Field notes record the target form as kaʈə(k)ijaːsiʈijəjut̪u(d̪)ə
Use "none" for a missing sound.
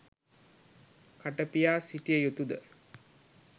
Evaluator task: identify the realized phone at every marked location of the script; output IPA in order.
p, d̪

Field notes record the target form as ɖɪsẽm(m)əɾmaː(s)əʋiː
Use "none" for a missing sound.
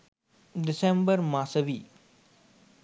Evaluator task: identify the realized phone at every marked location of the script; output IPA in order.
b, s

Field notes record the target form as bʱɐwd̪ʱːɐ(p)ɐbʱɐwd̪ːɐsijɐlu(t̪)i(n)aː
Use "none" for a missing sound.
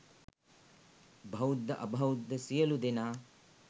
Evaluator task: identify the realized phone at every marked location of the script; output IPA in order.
ʔ, d̪, n

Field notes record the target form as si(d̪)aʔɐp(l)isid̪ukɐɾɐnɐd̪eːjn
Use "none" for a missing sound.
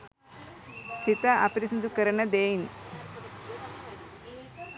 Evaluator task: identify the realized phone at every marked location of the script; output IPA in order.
t̪, ɾ

